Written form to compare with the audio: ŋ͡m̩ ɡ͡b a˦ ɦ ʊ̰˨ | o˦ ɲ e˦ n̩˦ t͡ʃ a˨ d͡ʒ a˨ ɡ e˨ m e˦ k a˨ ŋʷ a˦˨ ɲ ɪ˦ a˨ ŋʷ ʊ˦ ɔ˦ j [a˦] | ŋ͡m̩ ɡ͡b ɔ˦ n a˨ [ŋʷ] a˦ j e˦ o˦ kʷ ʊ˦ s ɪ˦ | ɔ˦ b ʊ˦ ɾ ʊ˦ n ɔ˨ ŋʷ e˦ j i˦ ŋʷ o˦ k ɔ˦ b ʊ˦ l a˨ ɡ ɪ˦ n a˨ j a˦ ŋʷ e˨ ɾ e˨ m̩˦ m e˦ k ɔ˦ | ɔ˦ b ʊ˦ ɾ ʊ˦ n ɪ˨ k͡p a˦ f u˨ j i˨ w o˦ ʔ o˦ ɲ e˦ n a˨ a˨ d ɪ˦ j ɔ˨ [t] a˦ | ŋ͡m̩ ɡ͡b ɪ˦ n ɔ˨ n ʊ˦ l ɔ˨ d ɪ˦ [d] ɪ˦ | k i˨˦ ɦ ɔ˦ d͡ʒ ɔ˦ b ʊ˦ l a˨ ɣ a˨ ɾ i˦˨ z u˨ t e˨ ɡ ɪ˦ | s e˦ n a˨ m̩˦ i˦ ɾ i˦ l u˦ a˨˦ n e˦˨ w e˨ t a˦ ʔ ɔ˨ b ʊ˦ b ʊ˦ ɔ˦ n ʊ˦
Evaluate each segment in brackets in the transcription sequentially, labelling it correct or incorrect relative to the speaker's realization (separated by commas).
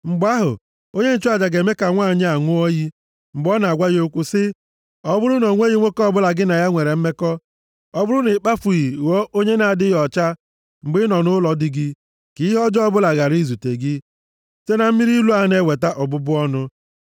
incorrect, incorrect, incorrect, incorrect